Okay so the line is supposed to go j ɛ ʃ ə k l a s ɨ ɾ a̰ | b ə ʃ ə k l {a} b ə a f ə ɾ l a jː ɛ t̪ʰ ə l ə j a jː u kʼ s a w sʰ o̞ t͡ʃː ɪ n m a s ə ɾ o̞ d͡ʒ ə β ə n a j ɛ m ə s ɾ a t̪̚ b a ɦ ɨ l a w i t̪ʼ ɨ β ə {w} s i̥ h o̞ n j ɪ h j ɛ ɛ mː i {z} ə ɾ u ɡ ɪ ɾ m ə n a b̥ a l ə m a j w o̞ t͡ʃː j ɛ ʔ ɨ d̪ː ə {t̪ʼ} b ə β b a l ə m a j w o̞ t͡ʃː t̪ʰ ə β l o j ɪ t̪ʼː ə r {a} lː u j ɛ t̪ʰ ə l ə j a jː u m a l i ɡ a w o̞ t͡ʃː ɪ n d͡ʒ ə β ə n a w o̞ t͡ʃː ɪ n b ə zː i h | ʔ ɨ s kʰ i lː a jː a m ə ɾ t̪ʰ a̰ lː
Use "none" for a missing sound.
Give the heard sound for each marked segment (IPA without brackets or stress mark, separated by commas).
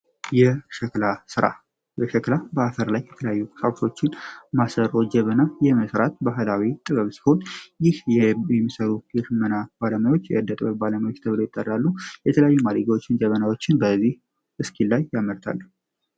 a, β, s, t̪ʼ, a